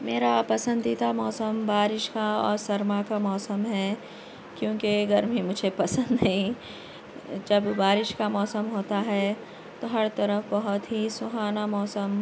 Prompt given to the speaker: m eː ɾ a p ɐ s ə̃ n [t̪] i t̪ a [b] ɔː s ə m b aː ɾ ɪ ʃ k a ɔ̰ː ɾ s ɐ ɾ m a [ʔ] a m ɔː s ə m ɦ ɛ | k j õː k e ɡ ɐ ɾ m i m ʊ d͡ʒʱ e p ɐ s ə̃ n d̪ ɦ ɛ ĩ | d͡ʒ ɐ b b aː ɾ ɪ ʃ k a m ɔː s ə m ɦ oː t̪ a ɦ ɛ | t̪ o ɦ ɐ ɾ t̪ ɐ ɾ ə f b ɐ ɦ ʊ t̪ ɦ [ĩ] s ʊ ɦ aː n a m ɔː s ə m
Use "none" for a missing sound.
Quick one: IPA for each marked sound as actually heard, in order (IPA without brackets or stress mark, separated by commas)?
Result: d̪, m, k, i